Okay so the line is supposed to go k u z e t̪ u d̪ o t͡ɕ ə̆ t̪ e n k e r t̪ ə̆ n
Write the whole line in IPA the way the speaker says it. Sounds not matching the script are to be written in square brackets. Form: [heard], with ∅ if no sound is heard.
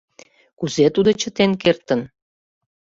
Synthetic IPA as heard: k u z e t̪ u d̪ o t͡ɕ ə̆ t̪ e n k e r t̪ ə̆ n